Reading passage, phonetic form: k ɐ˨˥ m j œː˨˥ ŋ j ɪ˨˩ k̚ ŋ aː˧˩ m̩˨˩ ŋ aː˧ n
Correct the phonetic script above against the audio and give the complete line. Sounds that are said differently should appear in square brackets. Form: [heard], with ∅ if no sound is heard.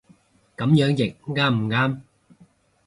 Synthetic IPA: k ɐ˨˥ m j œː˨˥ ŋ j ɪ˨˩ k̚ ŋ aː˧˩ m̩˨˩ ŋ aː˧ [m]